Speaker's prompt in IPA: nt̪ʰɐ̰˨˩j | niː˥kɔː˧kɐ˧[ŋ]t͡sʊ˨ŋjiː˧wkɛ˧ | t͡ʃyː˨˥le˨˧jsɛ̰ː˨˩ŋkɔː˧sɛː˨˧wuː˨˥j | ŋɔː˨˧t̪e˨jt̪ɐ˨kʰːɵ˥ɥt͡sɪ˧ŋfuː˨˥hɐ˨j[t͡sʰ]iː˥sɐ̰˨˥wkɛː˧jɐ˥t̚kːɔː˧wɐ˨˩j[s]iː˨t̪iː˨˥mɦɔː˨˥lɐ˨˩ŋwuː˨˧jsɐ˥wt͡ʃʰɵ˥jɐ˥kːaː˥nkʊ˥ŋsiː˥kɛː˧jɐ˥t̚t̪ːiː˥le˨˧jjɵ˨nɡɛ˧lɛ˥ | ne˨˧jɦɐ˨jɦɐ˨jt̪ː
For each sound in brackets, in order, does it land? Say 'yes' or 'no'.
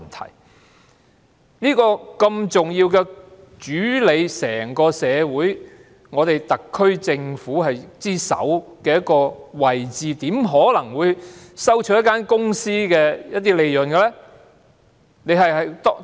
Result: no, no, no

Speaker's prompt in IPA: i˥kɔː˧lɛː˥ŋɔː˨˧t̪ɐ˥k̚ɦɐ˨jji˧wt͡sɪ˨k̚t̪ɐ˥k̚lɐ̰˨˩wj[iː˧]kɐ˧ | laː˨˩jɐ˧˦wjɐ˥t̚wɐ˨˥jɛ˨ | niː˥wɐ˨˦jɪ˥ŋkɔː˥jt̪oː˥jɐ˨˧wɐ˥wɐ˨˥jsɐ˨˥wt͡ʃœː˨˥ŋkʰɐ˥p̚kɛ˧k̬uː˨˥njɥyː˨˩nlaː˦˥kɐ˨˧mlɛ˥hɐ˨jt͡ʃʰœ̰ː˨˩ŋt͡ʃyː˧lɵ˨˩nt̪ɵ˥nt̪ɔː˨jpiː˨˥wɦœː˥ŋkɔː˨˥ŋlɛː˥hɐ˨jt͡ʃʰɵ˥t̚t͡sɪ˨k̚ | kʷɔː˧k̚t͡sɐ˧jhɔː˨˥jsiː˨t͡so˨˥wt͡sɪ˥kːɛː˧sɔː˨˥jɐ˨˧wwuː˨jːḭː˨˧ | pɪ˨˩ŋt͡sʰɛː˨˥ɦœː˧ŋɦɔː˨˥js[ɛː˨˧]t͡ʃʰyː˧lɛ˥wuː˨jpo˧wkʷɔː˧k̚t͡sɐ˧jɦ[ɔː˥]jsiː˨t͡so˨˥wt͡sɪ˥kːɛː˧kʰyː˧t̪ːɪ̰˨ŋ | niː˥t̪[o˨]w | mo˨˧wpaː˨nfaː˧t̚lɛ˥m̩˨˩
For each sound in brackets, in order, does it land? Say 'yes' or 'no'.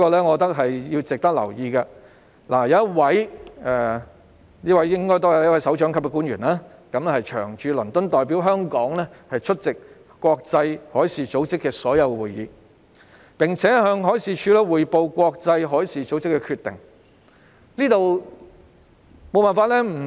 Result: yes, no, no, yes

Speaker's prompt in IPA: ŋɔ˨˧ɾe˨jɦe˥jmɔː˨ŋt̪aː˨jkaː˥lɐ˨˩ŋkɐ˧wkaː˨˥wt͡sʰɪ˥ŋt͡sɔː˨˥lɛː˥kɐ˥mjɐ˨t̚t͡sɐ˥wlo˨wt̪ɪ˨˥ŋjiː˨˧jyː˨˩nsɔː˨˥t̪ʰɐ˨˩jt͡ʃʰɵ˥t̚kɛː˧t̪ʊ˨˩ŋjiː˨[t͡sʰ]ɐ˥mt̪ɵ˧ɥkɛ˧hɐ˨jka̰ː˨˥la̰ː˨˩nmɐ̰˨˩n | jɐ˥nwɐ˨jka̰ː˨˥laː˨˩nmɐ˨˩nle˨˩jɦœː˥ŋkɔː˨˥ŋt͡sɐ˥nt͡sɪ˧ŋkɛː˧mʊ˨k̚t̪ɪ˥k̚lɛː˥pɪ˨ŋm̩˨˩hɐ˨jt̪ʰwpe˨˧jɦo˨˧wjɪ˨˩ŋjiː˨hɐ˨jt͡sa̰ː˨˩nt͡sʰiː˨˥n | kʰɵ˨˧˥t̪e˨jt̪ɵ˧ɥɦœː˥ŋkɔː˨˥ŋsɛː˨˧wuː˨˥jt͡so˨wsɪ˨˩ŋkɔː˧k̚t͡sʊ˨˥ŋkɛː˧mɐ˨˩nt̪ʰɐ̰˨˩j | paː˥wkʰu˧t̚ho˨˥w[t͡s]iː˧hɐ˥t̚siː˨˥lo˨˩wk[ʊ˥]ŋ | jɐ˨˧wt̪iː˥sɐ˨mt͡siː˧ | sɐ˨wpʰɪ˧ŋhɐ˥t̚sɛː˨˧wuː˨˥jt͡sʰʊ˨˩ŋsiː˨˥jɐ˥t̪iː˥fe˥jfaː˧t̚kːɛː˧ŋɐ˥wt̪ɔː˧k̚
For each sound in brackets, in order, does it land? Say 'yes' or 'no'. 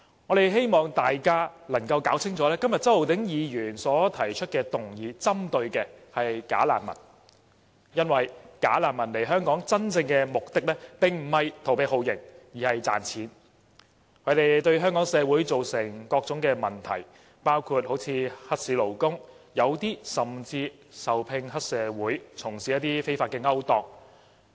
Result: no, no, yes

